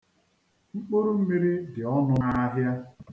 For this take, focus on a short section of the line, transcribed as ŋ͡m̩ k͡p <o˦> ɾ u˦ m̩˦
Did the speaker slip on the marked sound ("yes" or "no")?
no